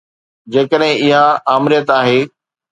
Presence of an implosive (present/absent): present